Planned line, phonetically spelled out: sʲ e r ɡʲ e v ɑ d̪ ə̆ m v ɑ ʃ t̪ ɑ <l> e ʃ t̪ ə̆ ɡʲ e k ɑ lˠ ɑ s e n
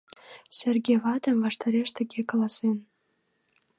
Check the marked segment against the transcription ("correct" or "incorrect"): incorrect